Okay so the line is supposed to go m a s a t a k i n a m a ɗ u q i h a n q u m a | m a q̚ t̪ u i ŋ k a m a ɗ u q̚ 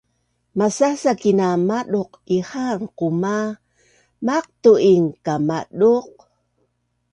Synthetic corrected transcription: m a s a s a k i n a m a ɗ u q i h a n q u m a | m a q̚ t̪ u i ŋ k a m a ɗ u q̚